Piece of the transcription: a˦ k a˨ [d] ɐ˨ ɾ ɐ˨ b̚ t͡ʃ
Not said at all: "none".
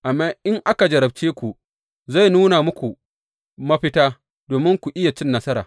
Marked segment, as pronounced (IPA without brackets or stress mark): d͡ʒ